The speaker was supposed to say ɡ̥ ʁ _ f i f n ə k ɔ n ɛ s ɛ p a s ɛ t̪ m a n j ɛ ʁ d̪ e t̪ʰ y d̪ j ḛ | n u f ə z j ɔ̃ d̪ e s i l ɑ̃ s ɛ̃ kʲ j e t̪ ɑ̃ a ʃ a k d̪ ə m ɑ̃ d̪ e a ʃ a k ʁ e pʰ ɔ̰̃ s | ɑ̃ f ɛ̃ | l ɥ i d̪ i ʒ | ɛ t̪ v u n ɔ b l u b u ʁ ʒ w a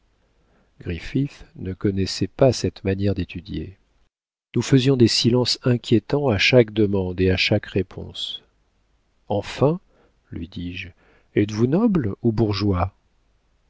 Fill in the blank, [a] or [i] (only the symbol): i